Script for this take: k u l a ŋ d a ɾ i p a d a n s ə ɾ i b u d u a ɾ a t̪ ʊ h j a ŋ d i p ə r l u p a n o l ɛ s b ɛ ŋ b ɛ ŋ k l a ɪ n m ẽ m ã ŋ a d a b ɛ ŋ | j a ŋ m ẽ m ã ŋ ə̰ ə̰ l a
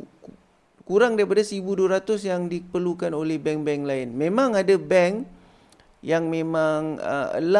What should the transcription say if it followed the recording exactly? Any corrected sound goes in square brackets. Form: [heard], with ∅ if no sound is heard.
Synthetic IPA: k u [ɾ] a ŋ d a ɾ i p a d a [∅] s ə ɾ i b u d u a ɾ a t̪ ʊ [s] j a ŋ d i p ə r l u [k] a n o l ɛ [h] b ɛ ŋ b ɛ ŋ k l a ɪ n m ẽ m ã ŋ a d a b ɛ ŋ | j a ŋ m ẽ m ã ŋ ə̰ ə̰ l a

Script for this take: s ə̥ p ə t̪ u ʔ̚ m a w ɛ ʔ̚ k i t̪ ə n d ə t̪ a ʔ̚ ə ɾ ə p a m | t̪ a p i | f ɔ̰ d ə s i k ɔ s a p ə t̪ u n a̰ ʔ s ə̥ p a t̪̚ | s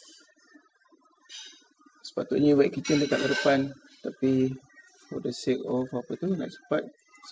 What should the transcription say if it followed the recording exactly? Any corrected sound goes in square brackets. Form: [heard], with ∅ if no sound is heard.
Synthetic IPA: s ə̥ p [a] t̪ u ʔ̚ [ɲ] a w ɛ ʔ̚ k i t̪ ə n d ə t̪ a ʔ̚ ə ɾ ə p a [n] | t̪ a p i | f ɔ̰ d ə s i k ɔ [f] a p ə t̪ u n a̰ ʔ s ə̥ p a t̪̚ | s

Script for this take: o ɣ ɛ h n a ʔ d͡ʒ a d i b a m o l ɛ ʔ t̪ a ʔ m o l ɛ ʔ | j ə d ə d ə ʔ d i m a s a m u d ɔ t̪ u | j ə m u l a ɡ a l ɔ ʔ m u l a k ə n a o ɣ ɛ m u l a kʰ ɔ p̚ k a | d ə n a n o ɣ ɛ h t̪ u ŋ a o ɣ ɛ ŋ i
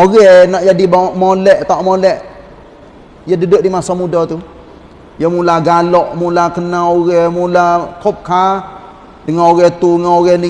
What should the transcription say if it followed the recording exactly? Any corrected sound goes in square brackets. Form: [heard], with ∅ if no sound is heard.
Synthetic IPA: o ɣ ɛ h n a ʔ d͡ʒ a d i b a m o l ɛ ʔ t̪ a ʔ m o l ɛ ʔ | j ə d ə d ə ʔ d i m a s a m u d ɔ t̪ u | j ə m u l a ɡ a l ɔ ʔ m u l a k ə n a o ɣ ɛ m u l a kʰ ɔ p̚ k a | d ə [ŋ] a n o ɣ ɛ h t̪ u ŋ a o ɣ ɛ [n] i

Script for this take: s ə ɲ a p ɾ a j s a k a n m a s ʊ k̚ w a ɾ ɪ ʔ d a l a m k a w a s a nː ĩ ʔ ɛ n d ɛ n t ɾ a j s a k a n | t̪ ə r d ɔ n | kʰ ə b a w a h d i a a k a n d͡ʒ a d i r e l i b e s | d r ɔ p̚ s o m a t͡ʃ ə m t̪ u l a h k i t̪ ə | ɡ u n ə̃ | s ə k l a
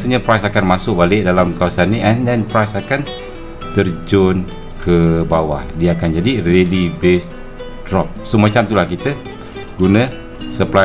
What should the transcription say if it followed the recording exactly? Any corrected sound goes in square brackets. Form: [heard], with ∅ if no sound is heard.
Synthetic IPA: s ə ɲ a p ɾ a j s a k a n m a s ʊ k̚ [b] a [l] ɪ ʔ d a l a m k a w a s a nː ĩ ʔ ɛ n d ɛ n [p] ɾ a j s a k a n | t̪ ə r [d͡ʒ] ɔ n | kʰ ə b a w a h d i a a k a n d͡ʒ a d i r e l i b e s | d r ɔ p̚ s o m a t͡ʃ [a] m t̪ u l a h k i t̪ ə | ɡ u n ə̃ | s ə [p] l a

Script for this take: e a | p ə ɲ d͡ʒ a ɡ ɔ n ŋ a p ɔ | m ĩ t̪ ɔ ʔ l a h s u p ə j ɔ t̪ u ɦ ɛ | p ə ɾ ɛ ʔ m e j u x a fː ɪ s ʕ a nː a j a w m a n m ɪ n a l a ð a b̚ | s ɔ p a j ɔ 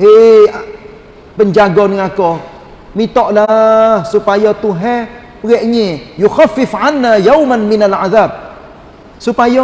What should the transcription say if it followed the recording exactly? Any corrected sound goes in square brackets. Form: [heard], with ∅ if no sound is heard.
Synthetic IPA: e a | p ə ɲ d͡ʒ a ɡ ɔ n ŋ a [k] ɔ | m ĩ t̪ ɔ ʔ l a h s u p [a] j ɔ t̪ u ɦ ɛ | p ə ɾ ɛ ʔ [ɲ] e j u x a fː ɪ [f] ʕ a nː a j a w m a n m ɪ n a l a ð a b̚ | s [u] p a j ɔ

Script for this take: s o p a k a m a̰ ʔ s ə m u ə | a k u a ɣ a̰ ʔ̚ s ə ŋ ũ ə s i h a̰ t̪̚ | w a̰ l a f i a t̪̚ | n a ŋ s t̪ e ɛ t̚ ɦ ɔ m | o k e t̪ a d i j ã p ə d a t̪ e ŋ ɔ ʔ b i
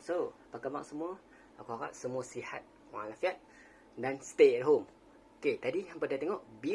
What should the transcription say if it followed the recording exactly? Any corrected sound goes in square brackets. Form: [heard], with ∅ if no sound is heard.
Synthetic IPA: s o p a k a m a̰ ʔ s ə m u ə | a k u a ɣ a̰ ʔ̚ s ə [m] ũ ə s i h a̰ t̪̚ | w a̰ l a f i a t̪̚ | [d] a [n] s t̪ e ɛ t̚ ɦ [o] m | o k e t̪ a d i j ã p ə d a t̪ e ŋ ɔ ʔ b i

